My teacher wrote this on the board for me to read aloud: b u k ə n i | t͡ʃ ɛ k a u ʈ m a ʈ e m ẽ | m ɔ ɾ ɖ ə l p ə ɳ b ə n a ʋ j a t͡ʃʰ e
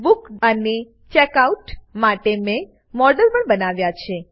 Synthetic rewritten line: b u k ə n e | t͡ʃ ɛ k a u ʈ m a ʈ e m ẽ | m ɔ ɾ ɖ ə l p ə ɳ b ə n a ʋ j a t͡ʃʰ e